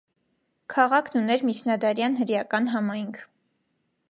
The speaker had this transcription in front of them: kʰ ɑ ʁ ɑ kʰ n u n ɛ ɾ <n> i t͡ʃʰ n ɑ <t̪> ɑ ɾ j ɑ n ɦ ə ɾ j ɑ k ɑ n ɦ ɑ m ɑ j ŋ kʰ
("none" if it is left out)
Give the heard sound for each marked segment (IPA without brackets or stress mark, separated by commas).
m, d̪